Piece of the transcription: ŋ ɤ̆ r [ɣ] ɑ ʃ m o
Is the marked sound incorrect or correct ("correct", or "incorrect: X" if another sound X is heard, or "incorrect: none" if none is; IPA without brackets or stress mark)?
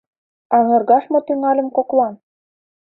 correct